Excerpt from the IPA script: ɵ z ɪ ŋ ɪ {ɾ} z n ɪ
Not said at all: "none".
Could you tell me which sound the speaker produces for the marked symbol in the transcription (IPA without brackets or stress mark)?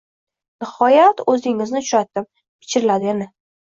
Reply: none